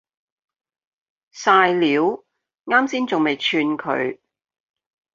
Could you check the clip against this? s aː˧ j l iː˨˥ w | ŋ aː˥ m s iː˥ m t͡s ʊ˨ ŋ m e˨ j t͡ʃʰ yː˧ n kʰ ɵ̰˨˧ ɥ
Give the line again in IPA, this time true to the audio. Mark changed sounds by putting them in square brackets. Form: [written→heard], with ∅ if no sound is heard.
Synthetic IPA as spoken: s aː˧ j l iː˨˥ w | ŋ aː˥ m s iː˥ [m→n] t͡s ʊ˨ ŋ m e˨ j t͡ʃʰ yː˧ n kʰ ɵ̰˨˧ ɥ